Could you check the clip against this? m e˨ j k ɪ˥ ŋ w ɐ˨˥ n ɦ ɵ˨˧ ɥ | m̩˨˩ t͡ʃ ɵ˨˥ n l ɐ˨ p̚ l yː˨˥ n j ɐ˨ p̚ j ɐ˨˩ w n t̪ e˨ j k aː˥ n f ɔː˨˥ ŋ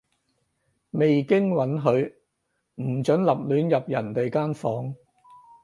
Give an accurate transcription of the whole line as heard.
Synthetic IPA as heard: m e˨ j k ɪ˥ ŋ w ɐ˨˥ n ɦ ɵ˨˧ ɥ | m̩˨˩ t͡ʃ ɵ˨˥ n l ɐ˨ p̚ l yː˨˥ n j ɐ˨ p̚ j ɐ˨˩ n t̪ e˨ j k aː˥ n f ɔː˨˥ ŋ